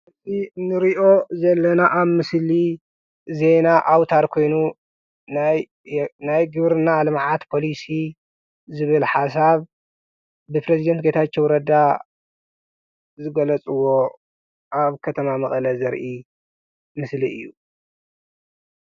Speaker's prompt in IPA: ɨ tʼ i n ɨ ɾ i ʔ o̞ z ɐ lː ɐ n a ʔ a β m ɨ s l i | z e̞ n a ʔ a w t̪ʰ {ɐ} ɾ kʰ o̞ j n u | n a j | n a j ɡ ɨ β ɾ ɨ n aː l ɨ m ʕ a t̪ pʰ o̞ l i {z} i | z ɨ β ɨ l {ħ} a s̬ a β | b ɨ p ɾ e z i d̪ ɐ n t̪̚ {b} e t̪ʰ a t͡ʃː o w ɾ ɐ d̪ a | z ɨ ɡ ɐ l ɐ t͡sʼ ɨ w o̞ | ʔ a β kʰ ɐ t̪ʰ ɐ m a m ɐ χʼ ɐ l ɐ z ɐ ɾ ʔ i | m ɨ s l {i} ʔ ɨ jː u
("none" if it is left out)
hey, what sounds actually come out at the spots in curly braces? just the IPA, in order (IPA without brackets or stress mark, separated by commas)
a, s, ħ, ɡ, i